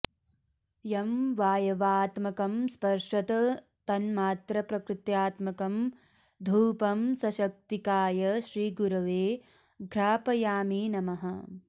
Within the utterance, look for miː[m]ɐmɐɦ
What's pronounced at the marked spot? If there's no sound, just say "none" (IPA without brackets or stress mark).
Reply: n